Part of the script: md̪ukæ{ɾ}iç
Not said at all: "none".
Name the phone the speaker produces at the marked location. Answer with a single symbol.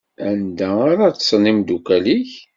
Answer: l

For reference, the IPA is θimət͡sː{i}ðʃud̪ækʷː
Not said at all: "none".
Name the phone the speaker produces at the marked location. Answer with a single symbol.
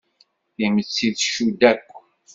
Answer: i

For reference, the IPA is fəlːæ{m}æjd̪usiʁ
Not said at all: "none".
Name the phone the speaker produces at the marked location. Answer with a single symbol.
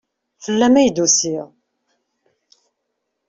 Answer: m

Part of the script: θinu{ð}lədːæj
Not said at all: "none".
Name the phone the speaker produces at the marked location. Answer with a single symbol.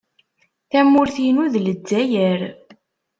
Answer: ð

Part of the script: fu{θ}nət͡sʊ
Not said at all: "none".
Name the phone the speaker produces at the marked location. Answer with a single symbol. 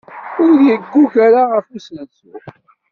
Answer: s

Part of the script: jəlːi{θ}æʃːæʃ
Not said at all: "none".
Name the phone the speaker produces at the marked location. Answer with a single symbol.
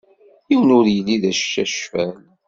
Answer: ð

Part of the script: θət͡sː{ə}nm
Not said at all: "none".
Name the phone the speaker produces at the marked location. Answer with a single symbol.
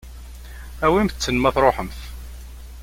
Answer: ə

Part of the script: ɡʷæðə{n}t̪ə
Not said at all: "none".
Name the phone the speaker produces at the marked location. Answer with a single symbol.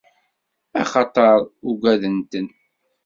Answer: n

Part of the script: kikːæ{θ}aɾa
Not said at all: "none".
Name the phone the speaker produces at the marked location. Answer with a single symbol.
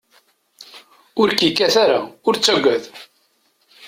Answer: θ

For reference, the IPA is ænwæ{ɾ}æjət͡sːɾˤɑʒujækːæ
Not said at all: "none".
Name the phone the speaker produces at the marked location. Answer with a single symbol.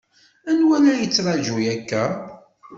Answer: l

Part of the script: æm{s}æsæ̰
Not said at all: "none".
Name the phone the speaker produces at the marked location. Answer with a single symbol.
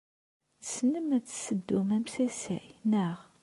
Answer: s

